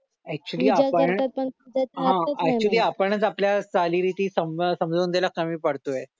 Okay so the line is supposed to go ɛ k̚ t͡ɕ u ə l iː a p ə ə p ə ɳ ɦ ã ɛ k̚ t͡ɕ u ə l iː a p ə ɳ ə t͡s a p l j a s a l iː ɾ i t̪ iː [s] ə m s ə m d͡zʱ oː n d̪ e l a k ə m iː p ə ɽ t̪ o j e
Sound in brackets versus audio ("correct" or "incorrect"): correct